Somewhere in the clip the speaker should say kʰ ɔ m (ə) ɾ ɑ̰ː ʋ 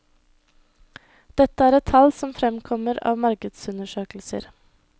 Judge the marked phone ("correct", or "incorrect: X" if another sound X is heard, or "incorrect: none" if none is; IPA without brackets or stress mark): correct